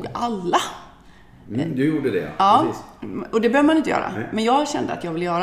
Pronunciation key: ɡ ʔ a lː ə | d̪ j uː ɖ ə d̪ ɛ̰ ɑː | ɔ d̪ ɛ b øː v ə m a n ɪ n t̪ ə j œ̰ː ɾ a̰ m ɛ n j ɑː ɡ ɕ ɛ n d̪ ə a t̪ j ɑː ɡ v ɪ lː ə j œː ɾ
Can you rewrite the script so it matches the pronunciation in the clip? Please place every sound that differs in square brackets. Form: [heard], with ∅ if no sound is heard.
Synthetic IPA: ɡ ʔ a lː [a] | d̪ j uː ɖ ə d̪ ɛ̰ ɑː | ɔ d̪ ɛ b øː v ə m a n ɪ n t̪ ə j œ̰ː ɾ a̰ m ɛ n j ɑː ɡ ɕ ɛ n d̪ ə a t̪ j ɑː ɡ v ɪ lː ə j œː ɾ